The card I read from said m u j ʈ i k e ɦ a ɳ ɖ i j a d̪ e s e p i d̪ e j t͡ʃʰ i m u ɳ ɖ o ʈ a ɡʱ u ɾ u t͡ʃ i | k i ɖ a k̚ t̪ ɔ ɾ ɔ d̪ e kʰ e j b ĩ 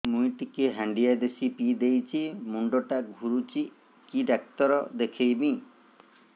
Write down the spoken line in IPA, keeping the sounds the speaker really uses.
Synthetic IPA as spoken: m u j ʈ i k e ɦ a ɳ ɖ i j a d̪ e s i p i d̪ e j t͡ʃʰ i m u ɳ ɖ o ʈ a ɡʱ u ɾ u t͡ʃ i | k i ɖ a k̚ t̪ ɔ ɾ ɔ d̪ e kʰ e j b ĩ